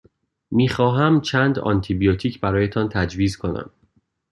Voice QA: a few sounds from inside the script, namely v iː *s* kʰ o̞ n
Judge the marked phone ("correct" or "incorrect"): incorrect